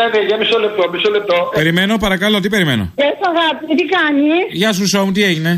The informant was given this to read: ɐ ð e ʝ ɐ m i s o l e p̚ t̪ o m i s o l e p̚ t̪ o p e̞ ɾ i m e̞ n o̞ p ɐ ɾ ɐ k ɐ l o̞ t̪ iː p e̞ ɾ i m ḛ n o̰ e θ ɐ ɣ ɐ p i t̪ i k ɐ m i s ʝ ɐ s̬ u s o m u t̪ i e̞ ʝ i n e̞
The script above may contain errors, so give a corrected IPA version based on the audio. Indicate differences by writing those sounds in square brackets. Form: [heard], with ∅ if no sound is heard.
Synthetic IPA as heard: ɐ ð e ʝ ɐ m i s o l e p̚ t̪ o m i s o l e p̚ t̪ o p e̞ ɾ i m e̞ n o̞ p ɐ ɾ ɐ k ɐ l o̞ t̪ [i] p e̞ ɾ i m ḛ n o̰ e [s] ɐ ɣ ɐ p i t̪ i k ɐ [n] i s ʝ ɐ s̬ u s o m u t̪ i e̞ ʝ i n e̞